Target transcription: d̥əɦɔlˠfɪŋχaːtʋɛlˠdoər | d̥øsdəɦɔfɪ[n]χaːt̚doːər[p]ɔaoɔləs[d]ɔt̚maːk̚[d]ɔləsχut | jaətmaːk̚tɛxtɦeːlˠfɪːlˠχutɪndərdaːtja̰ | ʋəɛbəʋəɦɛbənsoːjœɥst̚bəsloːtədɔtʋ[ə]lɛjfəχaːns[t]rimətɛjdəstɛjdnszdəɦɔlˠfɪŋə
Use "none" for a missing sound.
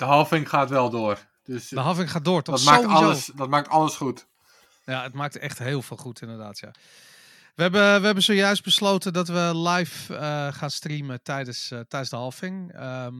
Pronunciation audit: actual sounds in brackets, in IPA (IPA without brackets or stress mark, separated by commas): ŋ, t, d, t, ə, t